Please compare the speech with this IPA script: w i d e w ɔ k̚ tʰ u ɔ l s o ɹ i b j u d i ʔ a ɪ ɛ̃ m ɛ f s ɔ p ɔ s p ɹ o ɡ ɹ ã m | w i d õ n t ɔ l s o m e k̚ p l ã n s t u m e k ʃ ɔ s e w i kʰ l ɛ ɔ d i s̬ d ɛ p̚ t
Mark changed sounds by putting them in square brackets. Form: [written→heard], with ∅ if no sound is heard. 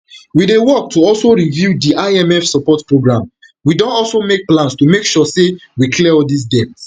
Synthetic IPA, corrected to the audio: w i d e w ɔ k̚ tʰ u ɔ l s o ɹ i [b→v] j u d i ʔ a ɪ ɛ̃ m ɛ f s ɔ p ɔ [s→t] p ɹ o ɡ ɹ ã m | w i d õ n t ɔ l s o m e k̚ p l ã n s t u m e k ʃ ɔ s e w i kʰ l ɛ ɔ d i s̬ d ɛ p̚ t